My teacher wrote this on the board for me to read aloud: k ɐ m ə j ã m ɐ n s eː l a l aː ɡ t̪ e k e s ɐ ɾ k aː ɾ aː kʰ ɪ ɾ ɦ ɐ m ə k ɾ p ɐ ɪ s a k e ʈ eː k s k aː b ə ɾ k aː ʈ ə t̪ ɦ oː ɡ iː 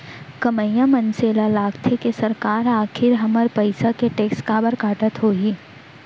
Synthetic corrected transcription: k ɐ m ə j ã m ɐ n s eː l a l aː ɡ t̪ʰ e k e s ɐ ɾ k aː ɾ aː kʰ ɪ ɾ ɦ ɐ m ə ɾ p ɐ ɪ s a k e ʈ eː k s k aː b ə ɾ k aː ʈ ə t̪ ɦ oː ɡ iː